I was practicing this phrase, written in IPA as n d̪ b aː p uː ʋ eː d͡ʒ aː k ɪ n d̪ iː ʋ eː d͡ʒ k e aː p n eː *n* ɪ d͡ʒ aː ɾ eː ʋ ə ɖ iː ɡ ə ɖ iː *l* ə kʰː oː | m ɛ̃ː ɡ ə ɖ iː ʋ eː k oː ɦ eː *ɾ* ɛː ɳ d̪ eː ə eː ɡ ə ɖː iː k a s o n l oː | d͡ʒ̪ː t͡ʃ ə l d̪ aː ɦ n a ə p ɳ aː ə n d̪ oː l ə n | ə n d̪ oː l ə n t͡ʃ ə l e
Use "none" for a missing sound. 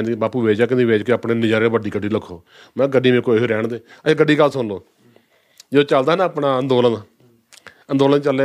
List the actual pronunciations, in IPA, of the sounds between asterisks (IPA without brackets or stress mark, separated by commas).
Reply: n, l, ɾ